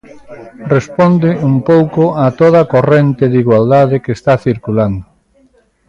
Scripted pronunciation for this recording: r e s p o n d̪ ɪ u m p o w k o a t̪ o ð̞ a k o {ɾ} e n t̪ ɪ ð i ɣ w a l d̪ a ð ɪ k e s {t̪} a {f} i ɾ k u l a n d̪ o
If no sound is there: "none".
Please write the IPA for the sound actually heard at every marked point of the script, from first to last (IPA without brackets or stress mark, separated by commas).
r, t̪, θ